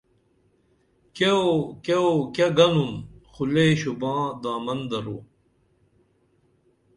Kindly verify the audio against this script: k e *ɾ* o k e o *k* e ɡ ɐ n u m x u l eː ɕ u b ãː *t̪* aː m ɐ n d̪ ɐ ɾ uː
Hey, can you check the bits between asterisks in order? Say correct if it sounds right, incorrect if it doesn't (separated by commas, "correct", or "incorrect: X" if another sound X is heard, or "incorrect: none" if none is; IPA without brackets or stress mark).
incorrect: none, correct, incorrect: d̪